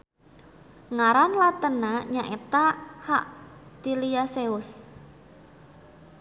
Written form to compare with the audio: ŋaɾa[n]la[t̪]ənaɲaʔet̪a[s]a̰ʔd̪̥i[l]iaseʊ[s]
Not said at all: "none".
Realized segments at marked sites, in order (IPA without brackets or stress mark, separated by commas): n, t̪, h, l, s